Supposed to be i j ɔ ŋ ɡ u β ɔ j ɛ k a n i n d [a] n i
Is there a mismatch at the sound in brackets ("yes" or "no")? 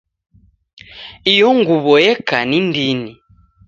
yes